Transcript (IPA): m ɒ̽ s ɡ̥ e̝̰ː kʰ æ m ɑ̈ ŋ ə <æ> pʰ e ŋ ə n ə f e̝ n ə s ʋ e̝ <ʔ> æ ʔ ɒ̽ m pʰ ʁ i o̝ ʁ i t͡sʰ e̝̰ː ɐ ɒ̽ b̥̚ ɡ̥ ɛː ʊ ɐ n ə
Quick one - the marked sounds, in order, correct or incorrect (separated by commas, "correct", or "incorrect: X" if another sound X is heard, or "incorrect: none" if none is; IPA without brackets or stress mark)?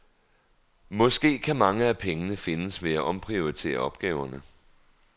correct, incorrect: none